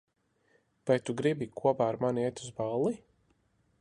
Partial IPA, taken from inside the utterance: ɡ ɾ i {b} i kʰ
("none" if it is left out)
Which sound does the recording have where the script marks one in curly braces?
b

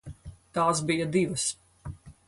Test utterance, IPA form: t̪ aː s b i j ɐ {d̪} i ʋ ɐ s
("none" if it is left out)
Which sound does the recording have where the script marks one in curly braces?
d̪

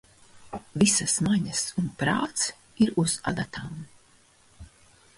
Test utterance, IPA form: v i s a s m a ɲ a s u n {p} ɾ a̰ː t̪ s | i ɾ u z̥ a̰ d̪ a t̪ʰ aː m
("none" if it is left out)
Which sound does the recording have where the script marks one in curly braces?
p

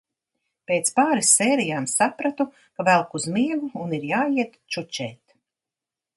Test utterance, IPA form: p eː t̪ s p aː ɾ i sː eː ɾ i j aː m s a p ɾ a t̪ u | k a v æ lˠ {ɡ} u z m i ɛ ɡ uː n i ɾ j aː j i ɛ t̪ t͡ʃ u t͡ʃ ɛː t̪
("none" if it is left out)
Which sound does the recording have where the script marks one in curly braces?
k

